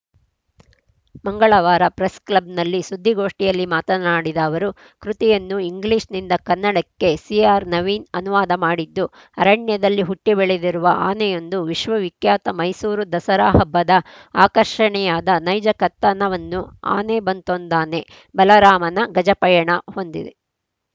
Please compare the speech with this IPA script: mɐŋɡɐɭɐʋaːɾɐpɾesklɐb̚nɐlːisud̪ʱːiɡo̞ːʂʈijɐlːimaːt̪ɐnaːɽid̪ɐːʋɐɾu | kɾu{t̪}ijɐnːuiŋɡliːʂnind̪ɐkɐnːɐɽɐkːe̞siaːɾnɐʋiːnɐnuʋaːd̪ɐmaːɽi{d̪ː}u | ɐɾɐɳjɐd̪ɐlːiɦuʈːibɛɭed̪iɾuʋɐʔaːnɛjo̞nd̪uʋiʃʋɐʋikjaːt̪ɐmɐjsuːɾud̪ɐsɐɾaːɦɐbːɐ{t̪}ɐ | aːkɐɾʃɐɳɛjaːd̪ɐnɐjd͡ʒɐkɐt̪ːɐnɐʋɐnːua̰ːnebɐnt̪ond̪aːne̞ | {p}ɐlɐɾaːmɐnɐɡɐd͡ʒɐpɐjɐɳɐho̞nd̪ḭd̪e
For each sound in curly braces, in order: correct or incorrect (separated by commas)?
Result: correct, correct, incorrect, incorrect